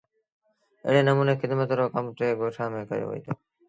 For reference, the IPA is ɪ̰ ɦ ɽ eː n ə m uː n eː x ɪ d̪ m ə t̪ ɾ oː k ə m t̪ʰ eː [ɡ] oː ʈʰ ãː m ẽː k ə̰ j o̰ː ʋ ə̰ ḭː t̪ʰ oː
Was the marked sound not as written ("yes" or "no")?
no